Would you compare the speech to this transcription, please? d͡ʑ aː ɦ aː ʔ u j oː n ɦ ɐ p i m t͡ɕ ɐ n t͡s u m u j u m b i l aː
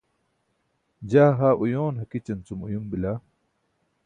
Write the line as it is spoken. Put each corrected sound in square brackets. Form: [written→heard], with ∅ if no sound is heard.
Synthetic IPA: d͡ʑ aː ɦ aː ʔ u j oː n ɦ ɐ [p→k] i [m→∅] t͡ɕ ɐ n t͡s u m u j u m b i l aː